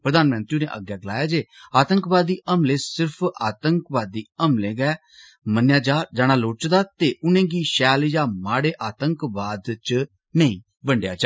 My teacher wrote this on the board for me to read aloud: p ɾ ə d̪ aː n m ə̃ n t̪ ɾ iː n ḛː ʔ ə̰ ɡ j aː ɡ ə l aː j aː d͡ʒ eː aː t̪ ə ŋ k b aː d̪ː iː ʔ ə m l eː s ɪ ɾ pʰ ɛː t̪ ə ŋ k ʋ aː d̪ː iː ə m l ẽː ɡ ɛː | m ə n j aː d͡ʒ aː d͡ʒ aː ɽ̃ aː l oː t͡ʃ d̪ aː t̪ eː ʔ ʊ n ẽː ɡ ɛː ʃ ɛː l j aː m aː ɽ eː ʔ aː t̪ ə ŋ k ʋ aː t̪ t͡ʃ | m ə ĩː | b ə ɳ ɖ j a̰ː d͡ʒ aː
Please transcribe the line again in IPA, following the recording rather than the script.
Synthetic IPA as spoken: p ɾ ə d̪ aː n m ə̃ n t̪ ɾ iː n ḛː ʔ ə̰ ɡ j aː ɡ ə l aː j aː d͡ʒ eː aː t̪ ə ŋ k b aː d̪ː iː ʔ ə m l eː s ɪ ɾ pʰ aː t̪ ə ŋ k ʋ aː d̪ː iː ə m l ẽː ɡ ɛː | m ə n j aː d͡ʒ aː d͡ʒ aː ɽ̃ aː l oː t͡ʃ d̪ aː t̪ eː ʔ ʊ n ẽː ɡ iː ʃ ɛː l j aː m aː ɽ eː ʔ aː t̪ ə ŋ k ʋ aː d̪ t͡ʃ | n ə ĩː | b ə ɳ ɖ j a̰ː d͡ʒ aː